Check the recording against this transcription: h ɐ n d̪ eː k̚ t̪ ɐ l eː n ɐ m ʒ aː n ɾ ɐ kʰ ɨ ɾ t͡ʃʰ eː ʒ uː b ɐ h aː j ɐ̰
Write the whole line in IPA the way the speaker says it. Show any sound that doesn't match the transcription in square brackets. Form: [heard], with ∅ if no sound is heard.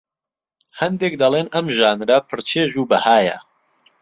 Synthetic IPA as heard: h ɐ n d̪ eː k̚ [d̪] ɐ l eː n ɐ m ʒ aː n ɾ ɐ [pʰ] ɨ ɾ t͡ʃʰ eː ʒ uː b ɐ h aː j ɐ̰